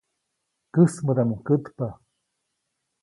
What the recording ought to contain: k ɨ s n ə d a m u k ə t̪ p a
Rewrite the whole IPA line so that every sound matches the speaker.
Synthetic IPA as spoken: k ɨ s m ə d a m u k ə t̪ p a